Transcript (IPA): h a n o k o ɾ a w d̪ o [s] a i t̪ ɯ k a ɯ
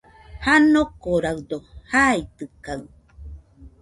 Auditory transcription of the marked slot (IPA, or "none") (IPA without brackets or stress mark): h